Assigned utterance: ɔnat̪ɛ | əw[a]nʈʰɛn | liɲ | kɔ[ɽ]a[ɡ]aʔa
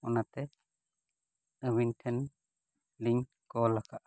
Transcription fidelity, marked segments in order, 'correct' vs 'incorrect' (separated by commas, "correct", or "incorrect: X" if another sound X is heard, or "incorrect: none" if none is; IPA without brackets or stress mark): incorrect: i, incorrect: l, incorrect: k